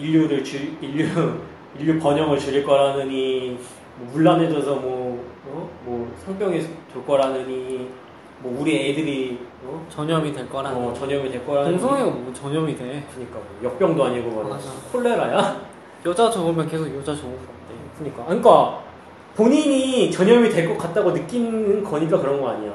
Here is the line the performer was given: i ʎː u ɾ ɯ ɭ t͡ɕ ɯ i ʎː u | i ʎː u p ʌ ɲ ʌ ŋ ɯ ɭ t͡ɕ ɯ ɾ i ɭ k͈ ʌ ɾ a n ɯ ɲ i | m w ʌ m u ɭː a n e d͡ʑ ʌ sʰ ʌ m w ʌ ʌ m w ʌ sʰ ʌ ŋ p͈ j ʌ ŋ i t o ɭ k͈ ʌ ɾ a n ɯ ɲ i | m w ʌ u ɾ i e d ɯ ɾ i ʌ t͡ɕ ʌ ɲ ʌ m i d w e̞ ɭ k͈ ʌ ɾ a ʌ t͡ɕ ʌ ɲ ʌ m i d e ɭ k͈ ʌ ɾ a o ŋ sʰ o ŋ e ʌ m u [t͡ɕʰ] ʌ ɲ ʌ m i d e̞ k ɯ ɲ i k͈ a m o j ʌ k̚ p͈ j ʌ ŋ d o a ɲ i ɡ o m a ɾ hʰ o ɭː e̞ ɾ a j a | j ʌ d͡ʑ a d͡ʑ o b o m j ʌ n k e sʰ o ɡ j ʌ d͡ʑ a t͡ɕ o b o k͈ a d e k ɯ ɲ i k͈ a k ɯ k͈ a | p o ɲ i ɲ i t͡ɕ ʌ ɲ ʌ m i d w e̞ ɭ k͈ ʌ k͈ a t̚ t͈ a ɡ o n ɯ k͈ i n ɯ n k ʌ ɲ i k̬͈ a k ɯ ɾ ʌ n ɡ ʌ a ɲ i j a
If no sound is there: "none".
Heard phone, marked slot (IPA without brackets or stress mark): t͡ɕ